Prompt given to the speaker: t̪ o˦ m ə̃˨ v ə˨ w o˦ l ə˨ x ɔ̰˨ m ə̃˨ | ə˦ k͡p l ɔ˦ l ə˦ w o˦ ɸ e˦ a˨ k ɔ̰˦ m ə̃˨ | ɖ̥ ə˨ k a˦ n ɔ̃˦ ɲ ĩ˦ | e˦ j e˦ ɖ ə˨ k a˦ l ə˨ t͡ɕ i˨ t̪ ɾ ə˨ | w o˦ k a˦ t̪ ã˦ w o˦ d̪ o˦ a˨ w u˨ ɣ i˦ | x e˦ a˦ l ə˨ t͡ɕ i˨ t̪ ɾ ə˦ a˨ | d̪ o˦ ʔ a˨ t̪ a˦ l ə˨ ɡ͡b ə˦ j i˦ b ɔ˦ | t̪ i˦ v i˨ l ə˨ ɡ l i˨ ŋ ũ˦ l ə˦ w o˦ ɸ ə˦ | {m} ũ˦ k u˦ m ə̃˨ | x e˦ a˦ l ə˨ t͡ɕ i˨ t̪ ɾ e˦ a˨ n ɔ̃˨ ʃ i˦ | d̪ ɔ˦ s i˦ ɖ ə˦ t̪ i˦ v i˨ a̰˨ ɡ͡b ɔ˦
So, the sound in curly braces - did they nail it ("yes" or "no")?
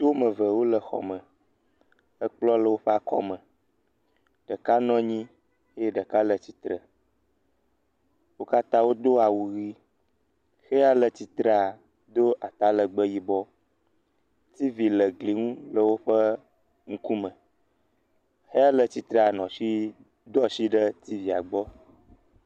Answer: no